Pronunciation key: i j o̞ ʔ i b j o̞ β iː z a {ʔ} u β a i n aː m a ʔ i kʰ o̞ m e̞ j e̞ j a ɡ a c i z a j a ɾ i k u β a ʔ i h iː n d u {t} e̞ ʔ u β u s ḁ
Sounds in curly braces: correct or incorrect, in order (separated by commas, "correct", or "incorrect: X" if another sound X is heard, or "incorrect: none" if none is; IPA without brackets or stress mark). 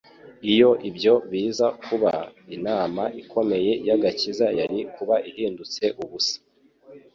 incorrect: k, incorrect: t͡s